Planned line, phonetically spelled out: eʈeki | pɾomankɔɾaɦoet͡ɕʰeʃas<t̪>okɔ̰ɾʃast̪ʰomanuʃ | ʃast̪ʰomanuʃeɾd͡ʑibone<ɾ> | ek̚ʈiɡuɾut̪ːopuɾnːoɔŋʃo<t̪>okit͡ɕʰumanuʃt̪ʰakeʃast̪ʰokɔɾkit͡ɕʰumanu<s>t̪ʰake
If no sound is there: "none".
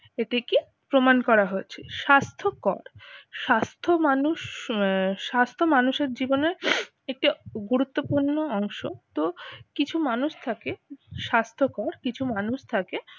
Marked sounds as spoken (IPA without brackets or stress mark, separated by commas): t̪ʰ, ɾ, t̪, ʃ